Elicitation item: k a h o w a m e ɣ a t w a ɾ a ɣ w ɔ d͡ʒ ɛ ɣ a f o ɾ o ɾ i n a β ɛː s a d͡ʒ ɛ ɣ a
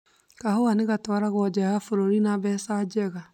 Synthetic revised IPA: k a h o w a n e ɣ a t w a ɾ a ɣ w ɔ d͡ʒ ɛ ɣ a f o ɾ o ɾ i n a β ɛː s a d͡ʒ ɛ ɣ a